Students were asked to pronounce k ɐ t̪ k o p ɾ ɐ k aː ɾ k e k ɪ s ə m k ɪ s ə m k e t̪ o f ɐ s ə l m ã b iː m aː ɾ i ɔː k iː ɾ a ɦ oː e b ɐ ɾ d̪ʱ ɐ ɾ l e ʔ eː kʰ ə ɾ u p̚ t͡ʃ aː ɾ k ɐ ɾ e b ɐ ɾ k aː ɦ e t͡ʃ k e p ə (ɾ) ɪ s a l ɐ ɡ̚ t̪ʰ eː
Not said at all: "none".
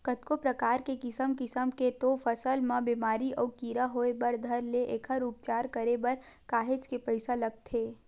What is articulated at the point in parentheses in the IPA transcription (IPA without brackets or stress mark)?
none